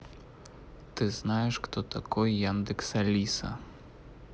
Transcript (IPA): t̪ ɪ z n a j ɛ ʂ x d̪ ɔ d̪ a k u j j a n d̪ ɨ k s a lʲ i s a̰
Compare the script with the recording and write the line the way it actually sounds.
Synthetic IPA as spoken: t̪ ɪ z n a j ɛ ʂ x t̪ ɔ t̪ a k ɔ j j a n d̪ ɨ k s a lʲ i s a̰